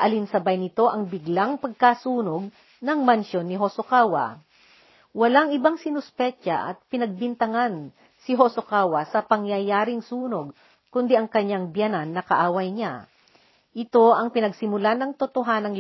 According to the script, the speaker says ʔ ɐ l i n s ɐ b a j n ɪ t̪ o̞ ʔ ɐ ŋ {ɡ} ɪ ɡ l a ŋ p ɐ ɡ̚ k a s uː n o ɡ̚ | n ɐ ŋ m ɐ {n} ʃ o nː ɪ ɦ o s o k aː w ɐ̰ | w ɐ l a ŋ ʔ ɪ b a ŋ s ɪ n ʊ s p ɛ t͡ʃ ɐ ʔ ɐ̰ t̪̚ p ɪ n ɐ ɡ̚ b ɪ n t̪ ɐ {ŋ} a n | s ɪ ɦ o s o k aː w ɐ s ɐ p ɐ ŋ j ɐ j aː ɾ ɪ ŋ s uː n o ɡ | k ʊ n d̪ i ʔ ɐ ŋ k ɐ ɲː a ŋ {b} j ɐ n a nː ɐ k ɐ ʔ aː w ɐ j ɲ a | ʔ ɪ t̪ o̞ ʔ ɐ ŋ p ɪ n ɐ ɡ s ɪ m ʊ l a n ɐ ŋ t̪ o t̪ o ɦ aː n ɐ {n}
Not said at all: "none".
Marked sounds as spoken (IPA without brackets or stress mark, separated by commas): b, n, ŋ, b, ŋ